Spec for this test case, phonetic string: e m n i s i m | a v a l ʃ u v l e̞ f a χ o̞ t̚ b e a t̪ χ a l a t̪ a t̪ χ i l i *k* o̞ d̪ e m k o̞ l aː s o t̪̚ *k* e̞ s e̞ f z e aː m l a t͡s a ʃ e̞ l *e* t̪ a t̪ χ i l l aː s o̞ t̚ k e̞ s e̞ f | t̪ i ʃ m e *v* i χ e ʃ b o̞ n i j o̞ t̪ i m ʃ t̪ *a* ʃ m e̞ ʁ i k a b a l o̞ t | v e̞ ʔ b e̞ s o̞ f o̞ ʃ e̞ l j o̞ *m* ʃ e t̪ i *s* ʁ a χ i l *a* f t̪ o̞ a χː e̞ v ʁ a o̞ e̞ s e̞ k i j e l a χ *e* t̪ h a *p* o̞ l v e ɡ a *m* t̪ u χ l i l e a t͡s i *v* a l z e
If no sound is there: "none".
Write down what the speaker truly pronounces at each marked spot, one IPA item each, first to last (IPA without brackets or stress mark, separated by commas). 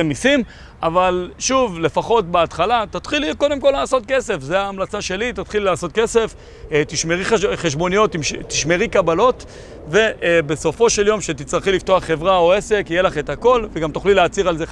k, k, i, ʁ, i, m, t͡s, i, e, k, m, ʁ